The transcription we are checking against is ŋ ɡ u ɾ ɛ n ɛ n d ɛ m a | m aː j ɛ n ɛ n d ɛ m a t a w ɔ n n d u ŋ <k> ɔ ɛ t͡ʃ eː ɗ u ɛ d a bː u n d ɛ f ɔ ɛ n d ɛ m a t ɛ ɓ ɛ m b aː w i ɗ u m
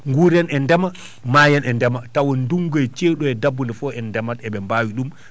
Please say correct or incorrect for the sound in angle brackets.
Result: incorrect